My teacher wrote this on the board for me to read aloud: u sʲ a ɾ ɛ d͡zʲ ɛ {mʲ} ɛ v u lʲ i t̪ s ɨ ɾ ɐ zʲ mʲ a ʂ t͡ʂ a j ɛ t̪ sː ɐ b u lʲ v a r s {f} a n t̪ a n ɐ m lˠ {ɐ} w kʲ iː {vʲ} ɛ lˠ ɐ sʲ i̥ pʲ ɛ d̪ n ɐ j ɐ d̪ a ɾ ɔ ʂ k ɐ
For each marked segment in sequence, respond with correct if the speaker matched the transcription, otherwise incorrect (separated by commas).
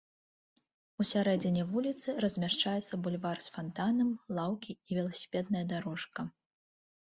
incorrect, correct, incorrect, correct